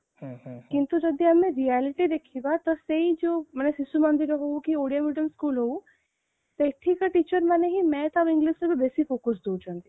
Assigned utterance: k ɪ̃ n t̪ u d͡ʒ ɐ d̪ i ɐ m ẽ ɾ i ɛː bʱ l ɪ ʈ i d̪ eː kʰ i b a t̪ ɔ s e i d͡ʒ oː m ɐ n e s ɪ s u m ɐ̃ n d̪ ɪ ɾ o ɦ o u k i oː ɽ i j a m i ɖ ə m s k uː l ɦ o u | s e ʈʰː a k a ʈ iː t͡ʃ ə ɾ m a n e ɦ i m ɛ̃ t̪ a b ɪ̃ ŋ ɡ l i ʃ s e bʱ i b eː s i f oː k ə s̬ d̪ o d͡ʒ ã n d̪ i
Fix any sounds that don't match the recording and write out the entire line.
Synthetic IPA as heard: k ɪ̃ n t̪ u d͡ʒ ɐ d̪ i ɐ m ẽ ɾ i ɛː l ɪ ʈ i d̪ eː kʰ i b a t̪ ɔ s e i d͡ʒ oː m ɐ n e s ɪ s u m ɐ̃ n d̪ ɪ ɾ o ɦ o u k i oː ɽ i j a m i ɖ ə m s k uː l ɦ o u | s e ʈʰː i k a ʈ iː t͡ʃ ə ɾ m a n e ɦ i m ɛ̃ t̪ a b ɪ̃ ŋ ɡ l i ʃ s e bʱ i b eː s i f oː k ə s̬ d̪ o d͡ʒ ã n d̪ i